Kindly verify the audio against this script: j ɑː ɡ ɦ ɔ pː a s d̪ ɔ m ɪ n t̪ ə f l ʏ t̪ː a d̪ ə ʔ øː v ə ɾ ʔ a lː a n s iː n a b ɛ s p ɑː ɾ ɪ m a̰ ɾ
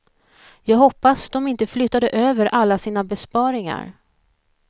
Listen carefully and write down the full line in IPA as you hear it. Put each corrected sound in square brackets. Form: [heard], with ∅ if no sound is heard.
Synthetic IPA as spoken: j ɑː ɡ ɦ ɔ pː a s d̪ ɔ m ɪ n t̪ ə f l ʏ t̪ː a d̪ ə ʔ øː v ə ɾ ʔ a lː a [∅] s iː n a b ɛ s p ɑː ɾ ɪ [ŋ] a̰ ɾ